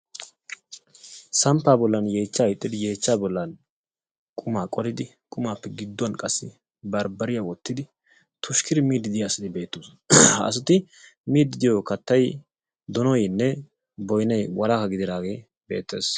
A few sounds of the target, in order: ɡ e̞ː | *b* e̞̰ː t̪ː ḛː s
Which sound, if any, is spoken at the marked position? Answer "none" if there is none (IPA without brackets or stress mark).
b